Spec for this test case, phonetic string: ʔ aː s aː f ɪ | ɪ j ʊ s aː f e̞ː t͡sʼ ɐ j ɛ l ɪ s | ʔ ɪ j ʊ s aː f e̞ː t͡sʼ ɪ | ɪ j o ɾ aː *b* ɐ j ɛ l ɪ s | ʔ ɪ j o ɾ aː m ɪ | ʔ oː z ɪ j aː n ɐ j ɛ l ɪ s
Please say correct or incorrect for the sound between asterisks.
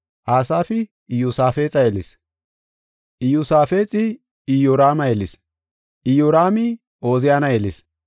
incorrect